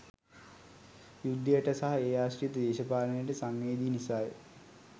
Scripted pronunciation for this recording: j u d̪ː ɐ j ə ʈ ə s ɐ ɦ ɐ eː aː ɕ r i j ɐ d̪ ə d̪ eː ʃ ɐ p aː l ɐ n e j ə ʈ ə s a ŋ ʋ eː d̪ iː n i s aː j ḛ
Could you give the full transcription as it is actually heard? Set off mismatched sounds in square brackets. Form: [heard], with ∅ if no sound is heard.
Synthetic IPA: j u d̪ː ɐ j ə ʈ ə s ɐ ɦ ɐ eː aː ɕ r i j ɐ [t̪] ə d̪ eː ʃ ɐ p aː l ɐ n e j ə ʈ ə s a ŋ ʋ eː d̪ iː n i s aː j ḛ